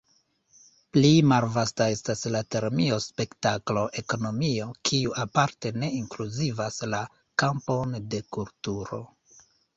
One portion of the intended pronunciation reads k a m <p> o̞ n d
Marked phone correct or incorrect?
correct